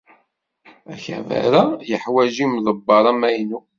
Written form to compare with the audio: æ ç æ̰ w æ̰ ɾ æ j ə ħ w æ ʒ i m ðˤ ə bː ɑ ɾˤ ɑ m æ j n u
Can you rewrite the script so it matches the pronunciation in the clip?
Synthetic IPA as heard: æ ç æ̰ v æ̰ ɾ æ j ə ħ w æ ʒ i m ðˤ ə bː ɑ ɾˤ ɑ m æ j n u